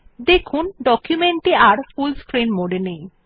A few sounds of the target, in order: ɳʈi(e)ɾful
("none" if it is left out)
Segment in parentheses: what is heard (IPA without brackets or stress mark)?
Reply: a